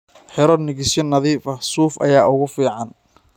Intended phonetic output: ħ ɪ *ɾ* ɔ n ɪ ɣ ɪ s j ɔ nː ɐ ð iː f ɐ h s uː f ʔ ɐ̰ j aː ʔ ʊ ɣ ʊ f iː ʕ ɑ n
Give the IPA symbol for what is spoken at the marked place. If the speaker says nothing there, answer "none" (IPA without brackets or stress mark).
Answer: ɾ